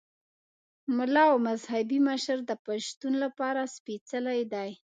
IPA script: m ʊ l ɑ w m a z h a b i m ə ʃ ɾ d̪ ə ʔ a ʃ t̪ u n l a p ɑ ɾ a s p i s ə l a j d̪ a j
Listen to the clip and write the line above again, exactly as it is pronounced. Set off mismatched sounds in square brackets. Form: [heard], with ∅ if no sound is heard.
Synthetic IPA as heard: m ʊ l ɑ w m a z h a b i m ə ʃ ɾ d̪ ə [p] a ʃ t̪ u n l a p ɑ ɾ a s p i [t͡s] ə l a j d̪ a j